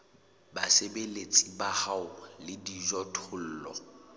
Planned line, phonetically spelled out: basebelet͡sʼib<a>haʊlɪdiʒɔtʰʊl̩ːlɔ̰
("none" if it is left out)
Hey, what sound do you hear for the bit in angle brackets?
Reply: a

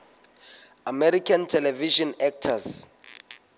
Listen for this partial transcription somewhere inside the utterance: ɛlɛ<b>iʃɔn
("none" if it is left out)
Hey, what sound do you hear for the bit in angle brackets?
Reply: v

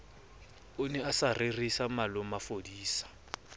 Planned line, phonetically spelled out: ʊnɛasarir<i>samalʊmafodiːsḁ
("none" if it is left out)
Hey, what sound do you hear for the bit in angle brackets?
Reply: i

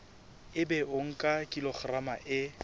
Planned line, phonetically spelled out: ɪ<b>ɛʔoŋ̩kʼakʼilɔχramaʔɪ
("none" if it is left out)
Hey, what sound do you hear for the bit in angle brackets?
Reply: b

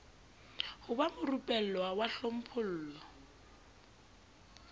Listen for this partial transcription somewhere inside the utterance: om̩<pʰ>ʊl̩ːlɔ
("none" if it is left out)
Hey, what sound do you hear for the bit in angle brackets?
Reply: pʰ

